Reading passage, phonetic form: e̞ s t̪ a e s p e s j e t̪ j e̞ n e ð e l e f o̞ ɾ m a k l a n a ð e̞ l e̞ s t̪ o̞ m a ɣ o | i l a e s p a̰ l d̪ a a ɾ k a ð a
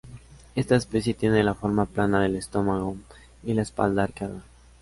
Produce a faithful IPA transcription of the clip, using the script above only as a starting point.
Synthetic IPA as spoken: e̞ s t̪ a e s p e s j e t̪ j e̞ n e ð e l a f o̞ ɾ m a p l a n a ð e̞ l e̞ s t̪ o̞ m a ɣ o | i l a e s p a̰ l d̪ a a ɾ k a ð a

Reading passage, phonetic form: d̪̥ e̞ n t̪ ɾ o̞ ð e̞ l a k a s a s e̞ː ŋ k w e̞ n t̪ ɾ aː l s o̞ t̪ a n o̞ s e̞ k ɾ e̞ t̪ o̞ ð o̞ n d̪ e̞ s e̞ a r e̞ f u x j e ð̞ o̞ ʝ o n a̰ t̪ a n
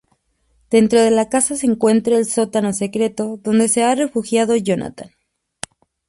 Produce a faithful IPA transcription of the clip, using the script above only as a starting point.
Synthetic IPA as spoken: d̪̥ e̞ n t̪ ɾ o̞ ð e̞ l a k a s a s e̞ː ŋ k w e̞ n t̪ ɾ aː l s o̞ t̪ a n o̞ s e̞ k ɾ e̞ t̪ o̞ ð o̞ n d̪ e̞ s e̞ a r e̞ f u x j a ð̞ o̞ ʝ o n a̰ t̪ a n

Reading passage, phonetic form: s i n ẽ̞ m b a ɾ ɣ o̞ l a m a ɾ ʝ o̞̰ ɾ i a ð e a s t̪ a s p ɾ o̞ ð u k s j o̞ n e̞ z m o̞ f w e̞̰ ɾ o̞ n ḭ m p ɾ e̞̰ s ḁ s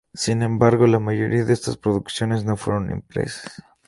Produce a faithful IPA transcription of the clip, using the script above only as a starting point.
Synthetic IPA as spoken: s i n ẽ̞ m b a ɾ ɣ o̞ l a m a ʝ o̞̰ ɾ i a ð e e s t̪ a s p ɾ o̞ ð u k s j o̞ n e̞ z n o̞ f w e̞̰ ɾ o̞ n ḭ m p ɾ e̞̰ s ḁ s

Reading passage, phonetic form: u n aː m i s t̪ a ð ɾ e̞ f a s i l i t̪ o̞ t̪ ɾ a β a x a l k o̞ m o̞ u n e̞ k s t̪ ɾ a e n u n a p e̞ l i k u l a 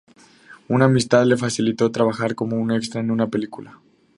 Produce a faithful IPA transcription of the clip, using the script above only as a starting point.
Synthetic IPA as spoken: u n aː m i s t̪ a ð l e̞ f a s i l i t̪ o̞ t̪ ɾ a β a x a ɾ k o̞ m o̞ u n e̞ k s t̪ ɾ a e n u n a p e̞ l i k u l a

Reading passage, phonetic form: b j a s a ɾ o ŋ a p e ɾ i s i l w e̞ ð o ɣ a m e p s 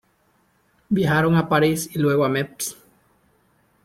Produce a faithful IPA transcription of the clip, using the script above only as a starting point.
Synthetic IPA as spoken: b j a x a ɾ o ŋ a p a ɾ i s i l w e̞ ɣ o a m e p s

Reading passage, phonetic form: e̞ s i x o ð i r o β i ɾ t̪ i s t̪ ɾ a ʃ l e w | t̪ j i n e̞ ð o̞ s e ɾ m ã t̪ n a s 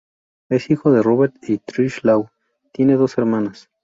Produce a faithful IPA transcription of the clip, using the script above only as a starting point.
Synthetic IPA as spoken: e̞ s i x o ð e r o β e ɾ t̪ i t̪ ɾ i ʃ l a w | t̪ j e n e̞ ð o̞ s e ɾ m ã n a s

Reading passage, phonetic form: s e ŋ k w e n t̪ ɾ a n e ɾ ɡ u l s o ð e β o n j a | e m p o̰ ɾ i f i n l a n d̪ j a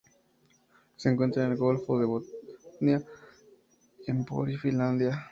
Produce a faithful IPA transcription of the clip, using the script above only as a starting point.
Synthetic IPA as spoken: s e ŋ k w e n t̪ ɾ a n e l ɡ o l f o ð e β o n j a | e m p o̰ ɾ i f i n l a n d̪ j a

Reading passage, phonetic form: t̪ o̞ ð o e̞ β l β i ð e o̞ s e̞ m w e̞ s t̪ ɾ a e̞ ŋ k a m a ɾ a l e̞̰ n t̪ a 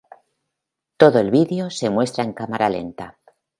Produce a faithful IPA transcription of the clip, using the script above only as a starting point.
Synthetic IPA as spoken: t̪ o̞ ð o e̞ l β i ð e o̞ s e̞ m w e̞ s t̪ ɾ a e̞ ŋ k a m a ɾ a l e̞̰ n t̪ a

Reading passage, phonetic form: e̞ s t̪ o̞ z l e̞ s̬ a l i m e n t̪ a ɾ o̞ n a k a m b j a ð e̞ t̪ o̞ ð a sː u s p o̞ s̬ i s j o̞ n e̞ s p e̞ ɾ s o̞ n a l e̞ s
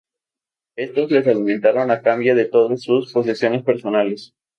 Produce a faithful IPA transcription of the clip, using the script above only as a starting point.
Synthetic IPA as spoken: e̞ s t̪ o̞ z l e̞ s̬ a l i m e n t̪ a ɾ o̞ n a k a m b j a ð e̞ t̪ o̞ ð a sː u s p o̞ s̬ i s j o̞ n e̞ s p e̞ ɾ s o̞ n a l e̞ s

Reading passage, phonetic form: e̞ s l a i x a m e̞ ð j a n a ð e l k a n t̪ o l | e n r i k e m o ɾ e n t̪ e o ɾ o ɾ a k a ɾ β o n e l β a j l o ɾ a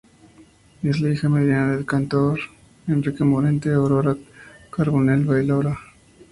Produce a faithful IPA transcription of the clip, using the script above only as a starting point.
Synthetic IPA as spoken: e̞ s l a i x a m e̞ ð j a n a ð e l k a n t̪ o ɾ | e n r i k e m o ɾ e n t̪ e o ɾ o ɾ a k a ɾ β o n e l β a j l o ɾ a

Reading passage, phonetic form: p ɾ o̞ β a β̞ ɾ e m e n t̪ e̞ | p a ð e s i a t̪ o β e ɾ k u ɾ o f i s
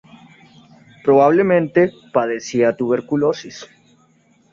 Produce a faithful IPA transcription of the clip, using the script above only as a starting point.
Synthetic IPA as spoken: p ɾ o̞ β a β̞ l e m ẽ n t̪ e̞ | p a ð e s i a t̪ u β e ɾ k u l o s i s

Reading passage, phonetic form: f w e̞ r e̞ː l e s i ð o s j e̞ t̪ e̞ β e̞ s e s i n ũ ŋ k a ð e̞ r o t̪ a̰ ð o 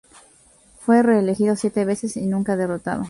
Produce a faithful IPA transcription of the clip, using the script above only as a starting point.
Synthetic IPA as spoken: f w e̞ r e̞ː l e x i ð o s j e̞ t̪ e̞ β e̞ s e s i n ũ ŋ k a ð e̞ r o t̪ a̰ ð o

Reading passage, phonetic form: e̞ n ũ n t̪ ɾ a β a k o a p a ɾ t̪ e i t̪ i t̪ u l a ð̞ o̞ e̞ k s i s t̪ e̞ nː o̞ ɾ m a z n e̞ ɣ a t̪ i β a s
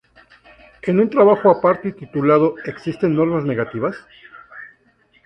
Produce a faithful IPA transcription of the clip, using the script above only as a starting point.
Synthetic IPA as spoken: e̞ n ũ n t̪ ɾ a β a x o a p a ɾ t̪ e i t̪ i t̪ u l a ð̞ o̞ e̞ k s i s t̪ e̞ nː o̞ ɾ m a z n e̞ ɣ a t̪ i β a s

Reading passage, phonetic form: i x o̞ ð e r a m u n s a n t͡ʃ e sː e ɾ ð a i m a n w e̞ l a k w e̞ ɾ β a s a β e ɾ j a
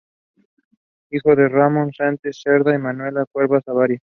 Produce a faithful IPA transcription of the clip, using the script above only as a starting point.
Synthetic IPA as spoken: i x o̞ ð e r a m o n s a n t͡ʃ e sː e ɾ ð a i m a n w e̞ l a k w e̞ ɾ β a s a β a ɾ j a

